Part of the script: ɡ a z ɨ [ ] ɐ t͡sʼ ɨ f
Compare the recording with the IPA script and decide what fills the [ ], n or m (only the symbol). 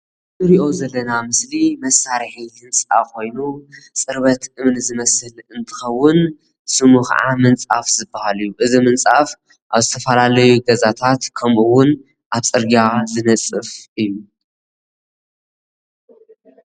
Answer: n